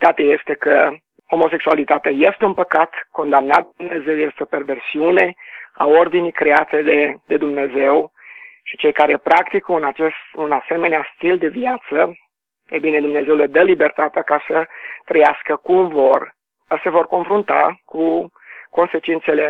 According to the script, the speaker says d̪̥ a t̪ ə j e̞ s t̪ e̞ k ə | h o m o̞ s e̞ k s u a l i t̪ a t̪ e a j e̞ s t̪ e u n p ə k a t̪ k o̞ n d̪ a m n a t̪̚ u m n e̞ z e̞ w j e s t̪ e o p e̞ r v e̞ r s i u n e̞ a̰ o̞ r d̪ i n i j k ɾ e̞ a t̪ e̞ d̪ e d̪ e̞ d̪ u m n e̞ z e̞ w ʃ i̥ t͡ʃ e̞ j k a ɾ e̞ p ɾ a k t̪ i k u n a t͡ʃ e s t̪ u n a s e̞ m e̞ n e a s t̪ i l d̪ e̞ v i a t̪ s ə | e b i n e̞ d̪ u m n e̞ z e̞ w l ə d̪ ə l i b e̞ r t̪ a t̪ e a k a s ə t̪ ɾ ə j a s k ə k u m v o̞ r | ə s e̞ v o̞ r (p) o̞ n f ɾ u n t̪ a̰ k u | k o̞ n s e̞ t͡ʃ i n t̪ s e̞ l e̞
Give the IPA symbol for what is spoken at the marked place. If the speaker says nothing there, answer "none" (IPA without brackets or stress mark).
k